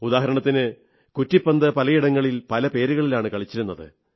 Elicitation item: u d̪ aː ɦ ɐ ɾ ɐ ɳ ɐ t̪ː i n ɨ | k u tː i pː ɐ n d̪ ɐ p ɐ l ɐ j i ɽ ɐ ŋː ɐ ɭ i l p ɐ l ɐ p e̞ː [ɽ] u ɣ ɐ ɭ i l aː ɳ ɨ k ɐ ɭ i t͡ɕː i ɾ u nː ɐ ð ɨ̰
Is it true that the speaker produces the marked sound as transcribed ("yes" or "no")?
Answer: no